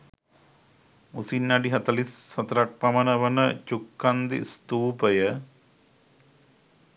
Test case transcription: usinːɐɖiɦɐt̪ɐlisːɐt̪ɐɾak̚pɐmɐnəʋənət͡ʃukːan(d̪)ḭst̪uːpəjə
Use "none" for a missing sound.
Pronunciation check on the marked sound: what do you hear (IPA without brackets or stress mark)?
d̪